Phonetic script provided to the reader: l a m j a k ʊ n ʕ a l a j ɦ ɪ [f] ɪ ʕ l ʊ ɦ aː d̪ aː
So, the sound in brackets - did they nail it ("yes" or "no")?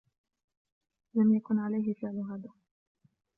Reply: yes